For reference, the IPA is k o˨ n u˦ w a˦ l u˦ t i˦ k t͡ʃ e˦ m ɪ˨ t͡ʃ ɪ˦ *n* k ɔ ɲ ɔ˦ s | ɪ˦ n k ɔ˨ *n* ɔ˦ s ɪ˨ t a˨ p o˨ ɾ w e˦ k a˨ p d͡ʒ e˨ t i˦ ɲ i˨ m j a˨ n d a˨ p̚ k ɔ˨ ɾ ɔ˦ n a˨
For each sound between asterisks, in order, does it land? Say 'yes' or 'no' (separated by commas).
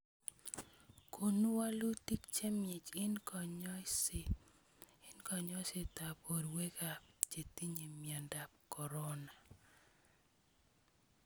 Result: yes, no